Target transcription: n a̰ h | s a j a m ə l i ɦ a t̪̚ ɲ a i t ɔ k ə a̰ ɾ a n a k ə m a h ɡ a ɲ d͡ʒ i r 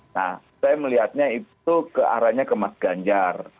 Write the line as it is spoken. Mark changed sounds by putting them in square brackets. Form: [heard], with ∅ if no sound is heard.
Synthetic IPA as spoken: n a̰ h | s a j a m ə l i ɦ a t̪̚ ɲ a i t [u] k ə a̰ ɾ a [ɲ] a k ə m a [s] ɡ a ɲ d͡ʒ [a] r